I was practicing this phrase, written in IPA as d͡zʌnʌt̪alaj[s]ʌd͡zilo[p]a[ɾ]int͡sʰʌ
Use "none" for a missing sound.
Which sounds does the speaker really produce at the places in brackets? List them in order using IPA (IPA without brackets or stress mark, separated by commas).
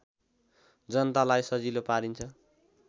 s, p, ɾ